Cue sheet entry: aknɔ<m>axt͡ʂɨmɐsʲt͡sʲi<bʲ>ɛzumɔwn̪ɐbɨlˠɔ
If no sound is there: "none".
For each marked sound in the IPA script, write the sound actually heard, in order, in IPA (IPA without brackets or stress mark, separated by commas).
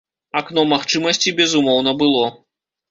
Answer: m, bʲ